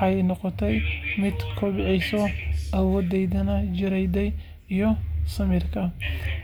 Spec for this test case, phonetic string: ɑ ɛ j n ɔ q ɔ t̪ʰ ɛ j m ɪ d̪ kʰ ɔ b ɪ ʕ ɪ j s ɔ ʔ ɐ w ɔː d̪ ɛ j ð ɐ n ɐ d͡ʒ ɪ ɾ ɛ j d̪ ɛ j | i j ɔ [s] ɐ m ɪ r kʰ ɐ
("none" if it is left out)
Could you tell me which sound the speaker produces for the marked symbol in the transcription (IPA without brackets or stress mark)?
s